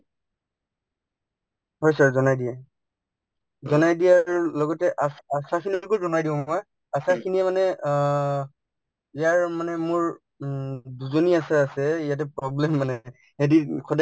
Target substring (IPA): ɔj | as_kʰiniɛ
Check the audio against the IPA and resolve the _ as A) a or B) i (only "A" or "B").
A